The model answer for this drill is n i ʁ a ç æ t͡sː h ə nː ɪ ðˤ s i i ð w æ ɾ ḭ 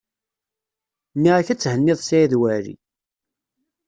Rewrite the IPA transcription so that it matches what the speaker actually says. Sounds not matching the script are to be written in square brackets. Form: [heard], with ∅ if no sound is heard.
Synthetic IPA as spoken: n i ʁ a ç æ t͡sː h ə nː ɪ ðˤ s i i ð w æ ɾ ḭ